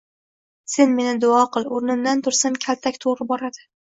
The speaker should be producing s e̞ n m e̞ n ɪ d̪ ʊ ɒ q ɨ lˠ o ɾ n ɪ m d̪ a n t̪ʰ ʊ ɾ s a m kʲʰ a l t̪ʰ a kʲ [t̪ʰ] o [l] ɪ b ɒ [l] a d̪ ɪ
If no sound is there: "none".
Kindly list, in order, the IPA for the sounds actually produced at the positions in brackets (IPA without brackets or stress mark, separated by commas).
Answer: t̪ʰ, ɾ, ɾ